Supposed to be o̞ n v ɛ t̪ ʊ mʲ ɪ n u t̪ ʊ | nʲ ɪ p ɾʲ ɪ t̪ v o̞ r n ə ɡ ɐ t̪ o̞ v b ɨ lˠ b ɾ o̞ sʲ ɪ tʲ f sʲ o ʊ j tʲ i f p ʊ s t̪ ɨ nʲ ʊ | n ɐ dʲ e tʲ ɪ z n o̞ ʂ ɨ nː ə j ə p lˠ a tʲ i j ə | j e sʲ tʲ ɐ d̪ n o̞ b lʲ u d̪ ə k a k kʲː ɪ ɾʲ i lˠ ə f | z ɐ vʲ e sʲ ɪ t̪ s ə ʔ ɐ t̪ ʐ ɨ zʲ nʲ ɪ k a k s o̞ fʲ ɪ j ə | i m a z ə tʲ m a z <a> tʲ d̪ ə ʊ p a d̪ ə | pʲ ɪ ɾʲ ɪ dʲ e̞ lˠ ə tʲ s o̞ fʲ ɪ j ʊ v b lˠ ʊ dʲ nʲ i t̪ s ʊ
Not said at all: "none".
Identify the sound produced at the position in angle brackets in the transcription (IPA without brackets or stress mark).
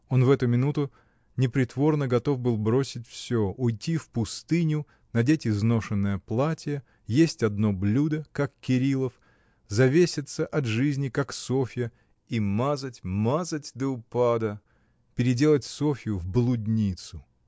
ə